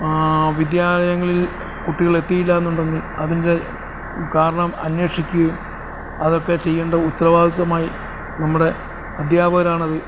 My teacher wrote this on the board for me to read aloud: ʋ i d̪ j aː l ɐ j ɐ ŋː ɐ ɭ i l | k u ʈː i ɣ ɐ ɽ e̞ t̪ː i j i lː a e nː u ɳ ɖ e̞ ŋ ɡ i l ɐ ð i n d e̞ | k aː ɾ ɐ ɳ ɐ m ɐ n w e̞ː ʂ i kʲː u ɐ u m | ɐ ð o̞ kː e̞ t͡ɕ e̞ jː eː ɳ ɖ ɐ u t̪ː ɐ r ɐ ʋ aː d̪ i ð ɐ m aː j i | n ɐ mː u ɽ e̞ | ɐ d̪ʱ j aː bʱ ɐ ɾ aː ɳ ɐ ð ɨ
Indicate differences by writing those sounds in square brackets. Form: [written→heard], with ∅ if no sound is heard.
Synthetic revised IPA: ʋ i d̪ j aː l ɐ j ɐ ŋː ɐ ɭ i l | k u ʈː i ɣ ɐ [ɽ→ɭ] e̞ t̪ː i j i lː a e nː u ɳ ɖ e̞ ŋ ɡ i l ɐ ð i n d e̞ | k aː ɾ ɐ ɳ ɐ m ɐ n w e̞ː ʂ i kʲː u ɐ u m | ɐ ð o̞ kː e̞ t͡ɕ e̞ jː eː ɳ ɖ ɐ u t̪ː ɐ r ɐ ʋ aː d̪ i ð ɐ m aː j i | n ɐ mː u ɽ e̞ | ɐ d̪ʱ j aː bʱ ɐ ɾ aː ɳ ɐ ð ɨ